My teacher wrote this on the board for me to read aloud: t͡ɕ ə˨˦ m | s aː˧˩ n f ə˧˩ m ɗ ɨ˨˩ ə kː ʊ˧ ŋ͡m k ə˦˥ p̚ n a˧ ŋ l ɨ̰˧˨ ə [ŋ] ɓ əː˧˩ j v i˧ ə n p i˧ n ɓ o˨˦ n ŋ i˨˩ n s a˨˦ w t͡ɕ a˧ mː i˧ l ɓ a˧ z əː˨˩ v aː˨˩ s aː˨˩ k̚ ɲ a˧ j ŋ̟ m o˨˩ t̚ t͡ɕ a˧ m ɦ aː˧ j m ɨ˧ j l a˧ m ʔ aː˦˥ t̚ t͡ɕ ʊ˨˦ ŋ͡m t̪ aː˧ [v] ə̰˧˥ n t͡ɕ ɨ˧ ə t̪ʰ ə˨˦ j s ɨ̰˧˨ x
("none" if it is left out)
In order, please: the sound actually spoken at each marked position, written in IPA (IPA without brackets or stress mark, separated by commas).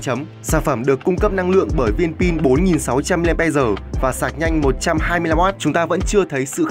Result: ŋ, v